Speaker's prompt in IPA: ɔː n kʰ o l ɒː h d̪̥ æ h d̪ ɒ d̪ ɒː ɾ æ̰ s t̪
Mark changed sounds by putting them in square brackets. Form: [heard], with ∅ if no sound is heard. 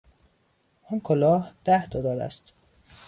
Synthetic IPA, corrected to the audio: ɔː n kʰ o l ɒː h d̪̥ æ h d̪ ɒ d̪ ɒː ɾ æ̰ s t̪